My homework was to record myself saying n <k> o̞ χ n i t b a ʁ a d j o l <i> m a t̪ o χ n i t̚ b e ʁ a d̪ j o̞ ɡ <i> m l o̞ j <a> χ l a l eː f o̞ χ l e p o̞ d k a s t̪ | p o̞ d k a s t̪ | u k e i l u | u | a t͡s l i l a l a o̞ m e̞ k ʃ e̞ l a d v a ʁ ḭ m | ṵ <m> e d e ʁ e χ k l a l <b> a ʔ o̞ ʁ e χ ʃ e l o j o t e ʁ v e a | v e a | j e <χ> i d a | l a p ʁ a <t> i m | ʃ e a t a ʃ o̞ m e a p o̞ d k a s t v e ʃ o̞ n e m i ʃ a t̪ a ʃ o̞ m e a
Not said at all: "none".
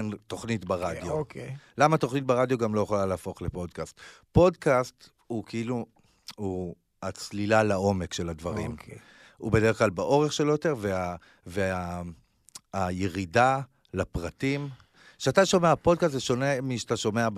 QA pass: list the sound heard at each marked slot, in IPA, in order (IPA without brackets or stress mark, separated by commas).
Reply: t, a, a, e, b, b, ʁ, t